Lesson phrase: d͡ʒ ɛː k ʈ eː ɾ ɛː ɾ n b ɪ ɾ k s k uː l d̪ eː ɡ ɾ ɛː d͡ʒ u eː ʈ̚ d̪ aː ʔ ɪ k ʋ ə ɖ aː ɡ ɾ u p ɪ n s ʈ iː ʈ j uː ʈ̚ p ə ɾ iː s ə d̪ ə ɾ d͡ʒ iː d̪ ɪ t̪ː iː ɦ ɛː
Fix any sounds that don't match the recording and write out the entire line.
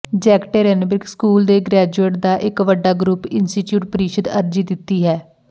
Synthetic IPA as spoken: d͡ʒ ɛː k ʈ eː ɾ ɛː n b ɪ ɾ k s k uː l d̪ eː ɡ ɾ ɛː d͡ʒ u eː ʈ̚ d̪ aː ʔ ɪ k ʋ ə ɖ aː ɡ ɾ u p ɪ n s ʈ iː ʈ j uː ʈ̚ p ə ɾ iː ʃ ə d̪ ə ɾ d͡ʒ iː d̪ ɪ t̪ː iː ɦ ɛː